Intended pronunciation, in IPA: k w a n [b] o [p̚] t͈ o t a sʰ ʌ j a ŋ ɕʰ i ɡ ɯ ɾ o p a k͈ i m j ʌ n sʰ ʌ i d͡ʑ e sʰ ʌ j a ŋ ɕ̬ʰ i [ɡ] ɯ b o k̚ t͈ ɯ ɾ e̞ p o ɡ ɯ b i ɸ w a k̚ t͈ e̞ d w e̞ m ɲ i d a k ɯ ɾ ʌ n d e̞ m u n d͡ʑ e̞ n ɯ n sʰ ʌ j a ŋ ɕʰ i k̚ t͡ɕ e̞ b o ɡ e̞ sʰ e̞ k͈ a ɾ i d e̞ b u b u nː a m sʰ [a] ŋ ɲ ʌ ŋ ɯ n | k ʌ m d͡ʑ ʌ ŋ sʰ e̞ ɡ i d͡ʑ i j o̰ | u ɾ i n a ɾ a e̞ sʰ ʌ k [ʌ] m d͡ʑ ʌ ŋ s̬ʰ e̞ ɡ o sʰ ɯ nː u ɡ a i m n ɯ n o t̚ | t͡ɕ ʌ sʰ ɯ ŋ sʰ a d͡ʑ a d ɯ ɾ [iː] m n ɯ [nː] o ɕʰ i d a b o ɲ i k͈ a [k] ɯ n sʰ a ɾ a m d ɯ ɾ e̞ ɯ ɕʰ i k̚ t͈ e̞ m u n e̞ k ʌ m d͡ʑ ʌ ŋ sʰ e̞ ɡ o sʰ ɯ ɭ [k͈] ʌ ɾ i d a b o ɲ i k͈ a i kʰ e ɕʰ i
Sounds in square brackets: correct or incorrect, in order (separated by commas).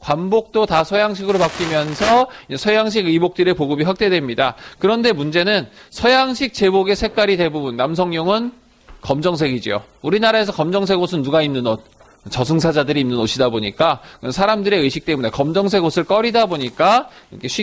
correct, incorrect, correct, incorrect, correct, correct, incorrect, correct, correct